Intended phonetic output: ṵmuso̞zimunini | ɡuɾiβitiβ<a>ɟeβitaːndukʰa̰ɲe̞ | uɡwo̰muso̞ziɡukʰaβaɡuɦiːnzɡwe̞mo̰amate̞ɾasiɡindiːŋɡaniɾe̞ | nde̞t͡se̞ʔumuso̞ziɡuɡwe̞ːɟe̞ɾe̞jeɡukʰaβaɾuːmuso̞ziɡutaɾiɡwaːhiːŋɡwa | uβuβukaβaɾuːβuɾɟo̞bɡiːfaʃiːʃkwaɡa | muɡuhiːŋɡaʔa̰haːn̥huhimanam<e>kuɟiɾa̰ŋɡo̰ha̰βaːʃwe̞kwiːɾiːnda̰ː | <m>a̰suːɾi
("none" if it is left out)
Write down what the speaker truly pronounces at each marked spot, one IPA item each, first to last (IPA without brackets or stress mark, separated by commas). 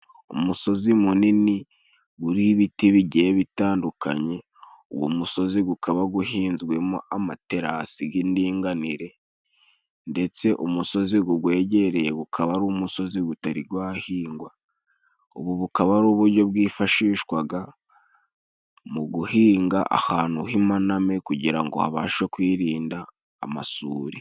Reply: i, e, m